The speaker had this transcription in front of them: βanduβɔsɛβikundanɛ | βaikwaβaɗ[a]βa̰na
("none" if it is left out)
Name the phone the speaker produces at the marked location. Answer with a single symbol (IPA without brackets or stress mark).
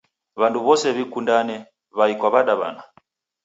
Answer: a